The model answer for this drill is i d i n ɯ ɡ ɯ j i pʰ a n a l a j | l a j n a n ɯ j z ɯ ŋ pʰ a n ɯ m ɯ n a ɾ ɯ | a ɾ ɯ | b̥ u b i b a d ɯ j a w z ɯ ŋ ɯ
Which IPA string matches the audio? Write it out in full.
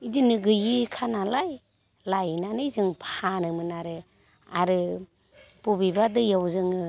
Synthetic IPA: i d i n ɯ ɡ ɯ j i kʰ a n a l a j | l a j n a n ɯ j z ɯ ŋ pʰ a n ɯ m ɯ n a ɾ ɯ | a ɾ ɯ | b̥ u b i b a d ɯ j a w z ɯ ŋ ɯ